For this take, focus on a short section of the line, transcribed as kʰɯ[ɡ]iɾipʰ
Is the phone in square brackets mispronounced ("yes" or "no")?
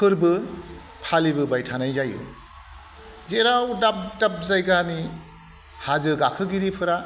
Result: no